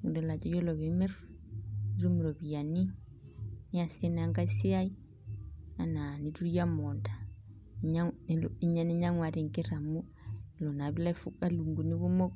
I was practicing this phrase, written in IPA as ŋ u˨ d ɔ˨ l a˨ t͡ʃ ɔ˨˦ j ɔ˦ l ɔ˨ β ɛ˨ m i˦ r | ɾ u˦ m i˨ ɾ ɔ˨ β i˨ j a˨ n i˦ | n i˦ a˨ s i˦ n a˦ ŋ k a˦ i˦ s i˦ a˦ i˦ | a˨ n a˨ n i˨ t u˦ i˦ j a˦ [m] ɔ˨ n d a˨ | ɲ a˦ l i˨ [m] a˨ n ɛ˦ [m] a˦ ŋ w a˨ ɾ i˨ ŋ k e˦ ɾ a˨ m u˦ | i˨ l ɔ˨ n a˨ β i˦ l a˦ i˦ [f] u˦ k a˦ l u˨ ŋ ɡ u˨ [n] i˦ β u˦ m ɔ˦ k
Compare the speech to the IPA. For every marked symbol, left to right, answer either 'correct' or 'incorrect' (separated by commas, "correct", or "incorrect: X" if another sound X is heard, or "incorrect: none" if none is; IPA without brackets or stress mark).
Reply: correct, incorrect: ɲ, incorrect: ɲ, correct, correct